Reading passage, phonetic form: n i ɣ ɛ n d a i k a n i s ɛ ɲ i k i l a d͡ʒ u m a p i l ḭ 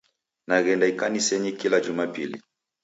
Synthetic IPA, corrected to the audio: n a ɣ ɛ n d a i k a n i s ɛ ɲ i k i l a d͡ʒ u m a p i l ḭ